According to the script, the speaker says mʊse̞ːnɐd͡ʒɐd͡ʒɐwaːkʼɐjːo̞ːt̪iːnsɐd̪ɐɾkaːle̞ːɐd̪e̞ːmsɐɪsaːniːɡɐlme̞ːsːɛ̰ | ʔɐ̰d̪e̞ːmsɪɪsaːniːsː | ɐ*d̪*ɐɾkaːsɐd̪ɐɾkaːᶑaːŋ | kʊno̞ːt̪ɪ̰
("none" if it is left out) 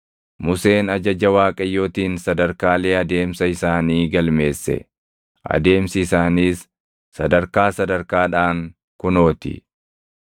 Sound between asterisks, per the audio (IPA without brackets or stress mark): d̪